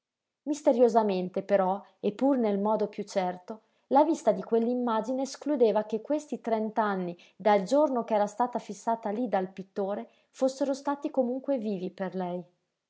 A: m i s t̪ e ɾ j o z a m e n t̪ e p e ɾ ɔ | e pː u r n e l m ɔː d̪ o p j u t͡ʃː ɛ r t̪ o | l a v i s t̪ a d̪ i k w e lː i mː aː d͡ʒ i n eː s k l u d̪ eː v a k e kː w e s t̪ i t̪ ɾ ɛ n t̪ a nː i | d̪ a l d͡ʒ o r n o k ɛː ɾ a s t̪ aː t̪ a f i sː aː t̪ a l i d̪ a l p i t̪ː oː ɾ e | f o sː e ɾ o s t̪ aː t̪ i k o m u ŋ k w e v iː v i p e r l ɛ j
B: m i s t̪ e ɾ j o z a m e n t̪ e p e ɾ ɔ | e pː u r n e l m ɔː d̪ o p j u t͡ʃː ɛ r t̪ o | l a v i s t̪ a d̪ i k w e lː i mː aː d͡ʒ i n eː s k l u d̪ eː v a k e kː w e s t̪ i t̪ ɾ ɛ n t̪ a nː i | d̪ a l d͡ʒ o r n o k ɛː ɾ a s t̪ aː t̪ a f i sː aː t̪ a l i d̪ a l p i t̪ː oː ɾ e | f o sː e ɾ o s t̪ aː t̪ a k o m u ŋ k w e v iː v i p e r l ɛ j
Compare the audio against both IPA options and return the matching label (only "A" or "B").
A